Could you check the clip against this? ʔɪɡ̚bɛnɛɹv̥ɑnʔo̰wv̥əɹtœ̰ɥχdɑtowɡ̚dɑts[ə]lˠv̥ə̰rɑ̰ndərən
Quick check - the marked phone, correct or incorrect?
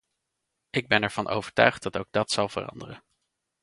incorrect: ɑ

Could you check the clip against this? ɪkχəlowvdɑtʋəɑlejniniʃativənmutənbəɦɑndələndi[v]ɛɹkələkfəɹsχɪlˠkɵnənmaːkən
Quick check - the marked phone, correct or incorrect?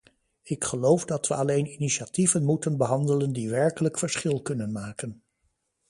incorrect: ʋ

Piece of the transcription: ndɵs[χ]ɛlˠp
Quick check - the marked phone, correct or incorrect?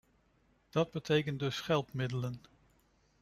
correct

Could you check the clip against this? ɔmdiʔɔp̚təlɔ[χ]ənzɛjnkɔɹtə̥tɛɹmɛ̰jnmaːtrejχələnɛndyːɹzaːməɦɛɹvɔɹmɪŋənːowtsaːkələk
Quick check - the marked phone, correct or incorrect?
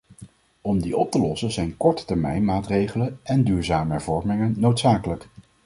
incorrect: s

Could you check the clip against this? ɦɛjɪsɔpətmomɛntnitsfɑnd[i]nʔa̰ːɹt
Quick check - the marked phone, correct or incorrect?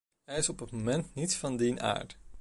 correct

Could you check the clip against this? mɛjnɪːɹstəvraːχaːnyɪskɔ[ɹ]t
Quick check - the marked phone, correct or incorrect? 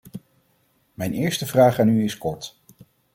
correct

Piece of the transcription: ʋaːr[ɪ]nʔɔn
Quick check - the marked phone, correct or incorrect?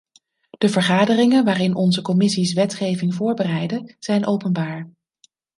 correct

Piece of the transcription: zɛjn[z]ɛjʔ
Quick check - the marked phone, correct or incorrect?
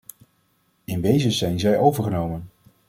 correct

